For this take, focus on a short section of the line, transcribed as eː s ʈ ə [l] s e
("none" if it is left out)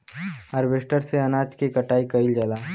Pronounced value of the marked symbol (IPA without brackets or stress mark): ɾ